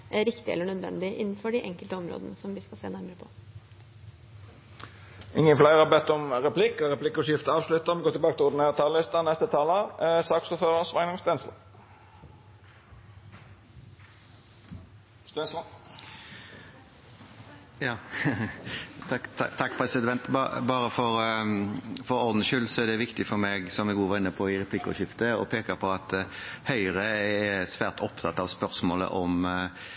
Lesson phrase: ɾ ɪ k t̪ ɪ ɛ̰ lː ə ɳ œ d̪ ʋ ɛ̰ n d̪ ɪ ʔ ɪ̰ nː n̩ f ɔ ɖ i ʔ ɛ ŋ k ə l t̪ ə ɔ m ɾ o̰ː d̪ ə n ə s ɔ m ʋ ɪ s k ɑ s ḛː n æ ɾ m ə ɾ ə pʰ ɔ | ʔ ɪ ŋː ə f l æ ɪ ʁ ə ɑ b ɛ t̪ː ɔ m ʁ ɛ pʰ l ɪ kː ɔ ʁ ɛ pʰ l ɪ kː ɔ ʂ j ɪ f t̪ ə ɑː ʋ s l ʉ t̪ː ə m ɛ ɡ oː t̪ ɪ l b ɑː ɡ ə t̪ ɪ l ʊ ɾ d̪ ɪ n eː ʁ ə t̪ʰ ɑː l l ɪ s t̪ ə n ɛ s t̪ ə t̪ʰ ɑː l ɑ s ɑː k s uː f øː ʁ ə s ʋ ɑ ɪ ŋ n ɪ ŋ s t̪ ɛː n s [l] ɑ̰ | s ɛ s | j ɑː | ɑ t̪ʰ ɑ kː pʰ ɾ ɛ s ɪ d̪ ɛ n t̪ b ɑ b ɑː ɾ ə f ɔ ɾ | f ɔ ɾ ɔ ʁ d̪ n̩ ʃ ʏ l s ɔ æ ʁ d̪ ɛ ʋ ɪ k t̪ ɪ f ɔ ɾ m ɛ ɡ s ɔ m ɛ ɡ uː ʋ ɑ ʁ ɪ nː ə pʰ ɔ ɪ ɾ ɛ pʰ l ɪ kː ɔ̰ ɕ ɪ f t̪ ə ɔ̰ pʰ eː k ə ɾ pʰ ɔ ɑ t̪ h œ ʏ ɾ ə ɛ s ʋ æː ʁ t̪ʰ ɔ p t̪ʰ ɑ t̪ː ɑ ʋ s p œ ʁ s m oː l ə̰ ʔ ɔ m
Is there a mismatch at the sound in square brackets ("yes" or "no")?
no